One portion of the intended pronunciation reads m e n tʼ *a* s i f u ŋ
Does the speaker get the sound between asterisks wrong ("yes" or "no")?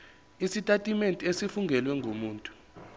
yes